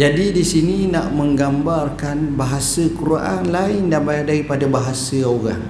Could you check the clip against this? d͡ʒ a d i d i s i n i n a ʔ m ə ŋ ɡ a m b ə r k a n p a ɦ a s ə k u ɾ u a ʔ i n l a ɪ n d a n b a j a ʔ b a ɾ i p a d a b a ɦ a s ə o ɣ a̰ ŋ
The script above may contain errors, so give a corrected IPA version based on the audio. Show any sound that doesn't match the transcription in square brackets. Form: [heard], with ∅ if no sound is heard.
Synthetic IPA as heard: d͡ʒ a d i d i s i n i n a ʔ m ə ŋ ɡ a m b [a] r k a n [b] a ɦ a s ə k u ɾ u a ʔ [a] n l a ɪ n d a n b a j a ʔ [d] a ɾ i p a d a b a ɦ a s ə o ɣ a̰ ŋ